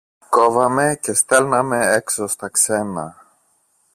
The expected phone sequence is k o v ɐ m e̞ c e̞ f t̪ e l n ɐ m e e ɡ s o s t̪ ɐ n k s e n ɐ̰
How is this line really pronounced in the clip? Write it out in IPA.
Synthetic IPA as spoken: k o v ɐ m e̞ c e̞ s t̪ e l n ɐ m e e k s o s t̪ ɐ k s e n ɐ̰